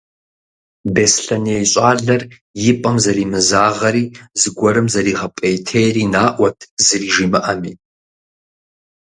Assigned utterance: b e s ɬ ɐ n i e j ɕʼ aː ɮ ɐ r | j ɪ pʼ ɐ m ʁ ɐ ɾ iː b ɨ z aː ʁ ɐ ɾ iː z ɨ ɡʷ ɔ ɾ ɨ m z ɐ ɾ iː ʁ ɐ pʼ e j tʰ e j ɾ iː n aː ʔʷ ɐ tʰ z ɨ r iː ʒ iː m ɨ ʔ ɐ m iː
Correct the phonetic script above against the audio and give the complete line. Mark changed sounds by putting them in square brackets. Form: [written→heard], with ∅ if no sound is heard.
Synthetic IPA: b e s ɬ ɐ n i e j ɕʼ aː ɮ ɐ r | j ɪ pʼ ɐ m [ʁ→z] ɐ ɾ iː [b→m] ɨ z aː ʁ ɐ ɾ iː z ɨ ɡʷ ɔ ɾ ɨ m z ɐ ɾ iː ʁ ɐ pʼ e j tʰ e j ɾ iː n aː ʔʷ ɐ tʰ z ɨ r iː ʒ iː m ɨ ʔ ɐ m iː